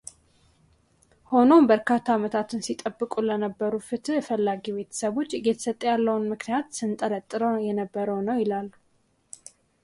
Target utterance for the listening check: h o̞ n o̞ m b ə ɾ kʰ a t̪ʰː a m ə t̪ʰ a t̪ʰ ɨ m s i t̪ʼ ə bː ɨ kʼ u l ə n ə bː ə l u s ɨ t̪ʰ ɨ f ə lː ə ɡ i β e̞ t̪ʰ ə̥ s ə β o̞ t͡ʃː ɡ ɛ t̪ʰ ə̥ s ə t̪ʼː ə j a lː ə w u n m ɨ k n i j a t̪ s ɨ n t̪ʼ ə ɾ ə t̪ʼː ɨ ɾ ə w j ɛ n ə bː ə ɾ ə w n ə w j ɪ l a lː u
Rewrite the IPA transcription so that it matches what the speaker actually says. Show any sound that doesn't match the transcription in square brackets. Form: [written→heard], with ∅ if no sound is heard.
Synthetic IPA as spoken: h o̞ n o̞ m b ə ɾ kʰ a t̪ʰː a m ə t̪ʰ a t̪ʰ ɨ [m→n] s i t̪ʼ ə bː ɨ kʼ u l ə n ə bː ə [l→ɾ] u [s→f] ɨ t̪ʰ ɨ f ə lː [ə→a] ɡ i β e̞ t̪ʰ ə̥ s ə β o̞ t͡ʃː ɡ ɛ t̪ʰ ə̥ s ə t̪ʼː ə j a lː ə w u n m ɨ k n i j a t̪ s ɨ n t̪ʼ ə ɾ ə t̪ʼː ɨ ɾ ə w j ɛ n ə bː ə ɾ ə w n ə w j ɪ l a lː u